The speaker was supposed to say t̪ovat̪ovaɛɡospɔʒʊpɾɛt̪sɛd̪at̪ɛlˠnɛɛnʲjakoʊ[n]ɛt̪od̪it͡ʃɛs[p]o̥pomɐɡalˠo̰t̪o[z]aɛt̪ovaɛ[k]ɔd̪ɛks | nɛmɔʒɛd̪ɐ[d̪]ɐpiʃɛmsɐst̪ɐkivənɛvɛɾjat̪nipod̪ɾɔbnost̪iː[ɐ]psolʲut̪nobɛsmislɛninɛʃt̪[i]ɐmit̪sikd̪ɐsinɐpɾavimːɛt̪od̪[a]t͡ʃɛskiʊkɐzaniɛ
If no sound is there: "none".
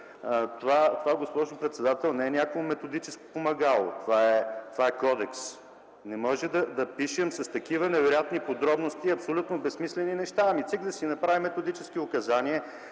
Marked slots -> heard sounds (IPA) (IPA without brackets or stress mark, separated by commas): m, k, v, k, d̪, ɐ, a, i